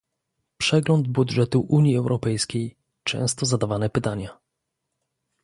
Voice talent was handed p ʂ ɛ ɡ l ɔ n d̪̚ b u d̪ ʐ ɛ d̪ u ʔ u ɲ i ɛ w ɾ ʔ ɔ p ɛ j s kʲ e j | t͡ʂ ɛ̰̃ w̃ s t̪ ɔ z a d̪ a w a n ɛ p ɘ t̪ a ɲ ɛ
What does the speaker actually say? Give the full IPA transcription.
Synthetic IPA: p ʂ ɛ ɡ l ɔ n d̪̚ b u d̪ ʐ ɛ t̪ u ʔ u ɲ i ɛ w ɾ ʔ ɔ p ɛ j s kʲ e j | t͡ʂ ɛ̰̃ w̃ s t̪ ɔ z a d̪ a v a n ɛ p ɘ t̪ a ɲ a